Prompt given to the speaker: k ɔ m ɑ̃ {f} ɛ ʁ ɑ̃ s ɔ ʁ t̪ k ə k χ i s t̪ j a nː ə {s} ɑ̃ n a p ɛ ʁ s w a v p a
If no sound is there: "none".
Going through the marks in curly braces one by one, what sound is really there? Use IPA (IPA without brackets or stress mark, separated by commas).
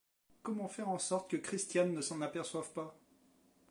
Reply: f, s